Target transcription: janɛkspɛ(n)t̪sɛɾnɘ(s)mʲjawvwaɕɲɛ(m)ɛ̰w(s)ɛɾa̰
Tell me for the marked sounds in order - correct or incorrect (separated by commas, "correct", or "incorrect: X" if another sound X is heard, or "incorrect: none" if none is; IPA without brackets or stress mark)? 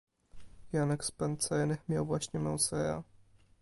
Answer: correct, incorrect: x, correct, correct